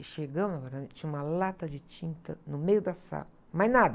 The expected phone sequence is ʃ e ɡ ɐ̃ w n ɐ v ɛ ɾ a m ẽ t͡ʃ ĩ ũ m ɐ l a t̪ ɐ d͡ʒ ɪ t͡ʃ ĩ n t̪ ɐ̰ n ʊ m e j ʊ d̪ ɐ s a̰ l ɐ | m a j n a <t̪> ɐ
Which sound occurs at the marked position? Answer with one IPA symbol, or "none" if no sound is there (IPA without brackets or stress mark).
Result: d̪